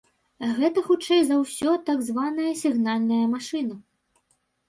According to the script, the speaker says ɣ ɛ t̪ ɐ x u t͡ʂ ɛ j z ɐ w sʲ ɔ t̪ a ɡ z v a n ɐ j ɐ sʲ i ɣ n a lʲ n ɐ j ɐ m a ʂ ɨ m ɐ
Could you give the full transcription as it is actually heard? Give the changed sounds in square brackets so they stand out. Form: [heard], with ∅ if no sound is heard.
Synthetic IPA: ɣ ɛ t̪ ɐ x u t͡ʂ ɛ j z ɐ w sʲ ɔ t̪ a ɡ z v a n ɐ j ɐ sʲ i ɣ n a lʲ n ɐ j ɐ m a ʂ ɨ [n] ɐ